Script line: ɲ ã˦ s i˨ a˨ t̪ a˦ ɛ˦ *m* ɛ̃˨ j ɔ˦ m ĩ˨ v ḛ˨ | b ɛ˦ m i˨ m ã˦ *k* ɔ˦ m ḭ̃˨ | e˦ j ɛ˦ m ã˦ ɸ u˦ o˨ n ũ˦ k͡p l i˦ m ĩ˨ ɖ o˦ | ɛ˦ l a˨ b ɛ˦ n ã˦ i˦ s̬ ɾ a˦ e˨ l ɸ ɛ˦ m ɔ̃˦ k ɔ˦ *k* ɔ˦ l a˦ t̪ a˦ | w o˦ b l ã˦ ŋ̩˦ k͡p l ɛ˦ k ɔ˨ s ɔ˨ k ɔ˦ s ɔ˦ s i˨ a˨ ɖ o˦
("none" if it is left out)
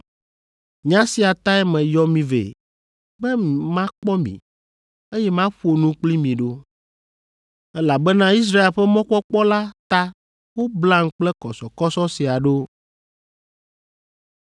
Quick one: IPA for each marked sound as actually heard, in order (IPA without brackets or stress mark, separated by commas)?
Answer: m, k͡p, k͡p